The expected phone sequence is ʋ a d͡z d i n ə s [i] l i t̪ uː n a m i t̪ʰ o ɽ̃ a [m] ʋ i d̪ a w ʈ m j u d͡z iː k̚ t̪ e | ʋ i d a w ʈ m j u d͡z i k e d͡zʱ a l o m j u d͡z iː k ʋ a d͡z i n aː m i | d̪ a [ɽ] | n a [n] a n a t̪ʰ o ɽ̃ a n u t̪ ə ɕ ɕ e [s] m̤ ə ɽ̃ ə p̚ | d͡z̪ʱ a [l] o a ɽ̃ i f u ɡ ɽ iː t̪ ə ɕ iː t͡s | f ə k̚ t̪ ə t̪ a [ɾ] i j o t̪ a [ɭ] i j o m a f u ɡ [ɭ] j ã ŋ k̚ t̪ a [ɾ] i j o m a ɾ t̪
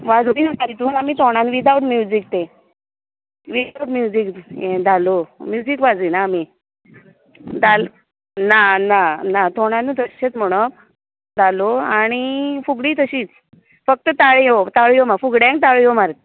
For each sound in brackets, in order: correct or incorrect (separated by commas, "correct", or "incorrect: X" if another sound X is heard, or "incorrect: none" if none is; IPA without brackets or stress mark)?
incorrect: a, incorrect: n, incorrect: l, correct, incorrect: t͡s, correct, incorrect: ɭ, correct, incorrect: ɽ, incorrect: ɭ